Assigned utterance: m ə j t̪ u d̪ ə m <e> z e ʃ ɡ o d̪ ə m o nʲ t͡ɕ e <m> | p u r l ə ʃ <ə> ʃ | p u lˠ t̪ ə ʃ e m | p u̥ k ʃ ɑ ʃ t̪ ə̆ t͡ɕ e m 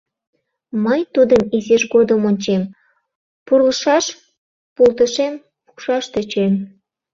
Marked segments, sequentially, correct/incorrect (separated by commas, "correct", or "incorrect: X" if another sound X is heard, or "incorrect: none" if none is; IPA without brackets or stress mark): incorrect: i, correct, incorrect: ɑ